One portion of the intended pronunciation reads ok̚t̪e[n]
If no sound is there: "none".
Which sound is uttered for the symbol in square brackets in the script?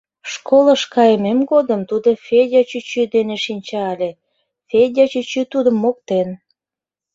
n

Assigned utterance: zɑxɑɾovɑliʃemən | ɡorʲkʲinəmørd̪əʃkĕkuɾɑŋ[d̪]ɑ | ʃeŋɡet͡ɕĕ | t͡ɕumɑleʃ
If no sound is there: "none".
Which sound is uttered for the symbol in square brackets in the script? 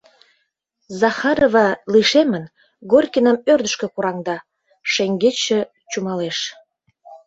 d̪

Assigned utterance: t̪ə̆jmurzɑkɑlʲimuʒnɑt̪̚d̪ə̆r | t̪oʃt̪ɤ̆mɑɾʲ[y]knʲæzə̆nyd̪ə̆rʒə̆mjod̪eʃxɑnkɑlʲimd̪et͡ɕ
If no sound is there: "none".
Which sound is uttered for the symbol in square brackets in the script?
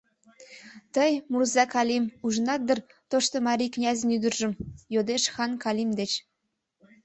i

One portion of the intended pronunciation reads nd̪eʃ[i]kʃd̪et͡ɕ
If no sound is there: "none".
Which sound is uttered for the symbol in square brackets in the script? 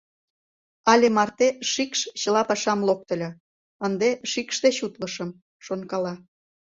i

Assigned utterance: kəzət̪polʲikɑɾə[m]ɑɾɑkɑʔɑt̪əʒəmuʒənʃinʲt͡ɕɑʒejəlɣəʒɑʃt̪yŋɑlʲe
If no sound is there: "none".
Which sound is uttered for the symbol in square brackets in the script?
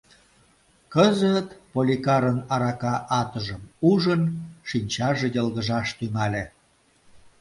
n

